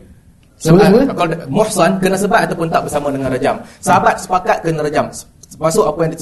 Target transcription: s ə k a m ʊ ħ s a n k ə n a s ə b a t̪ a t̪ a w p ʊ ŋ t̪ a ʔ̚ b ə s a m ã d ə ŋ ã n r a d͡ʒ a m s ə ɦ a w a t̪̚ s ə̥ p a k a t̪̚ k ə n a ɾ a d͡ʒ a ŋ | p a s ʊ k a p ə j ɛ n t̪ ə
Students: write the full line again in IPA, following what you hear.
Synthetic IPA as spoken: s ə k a m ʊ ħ s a n k ə n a s ə b a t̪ a t̪ a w p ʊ n t̪ a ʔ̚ b ə s a m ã d ə ŋ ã n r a d͡ʒ a m s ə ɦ a b a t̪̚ s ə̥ p a k a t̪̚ k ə n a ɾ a d͡ʒ a m | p a s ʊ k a p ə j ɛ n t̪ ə